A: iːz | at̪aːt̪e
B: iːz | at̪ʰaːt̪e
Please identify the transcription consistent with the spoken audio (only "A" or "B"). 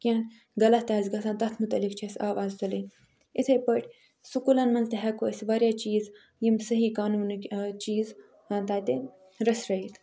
A